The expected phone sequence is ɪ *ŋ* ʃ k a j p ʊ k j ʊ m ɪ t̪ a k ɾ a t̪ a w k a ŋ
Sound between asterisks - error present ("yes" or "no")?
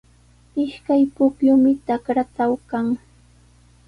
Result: yes